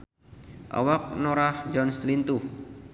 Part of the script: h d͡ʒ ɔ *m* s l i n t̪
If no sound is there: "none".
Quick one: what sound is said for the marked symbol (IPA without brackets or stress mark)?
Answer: n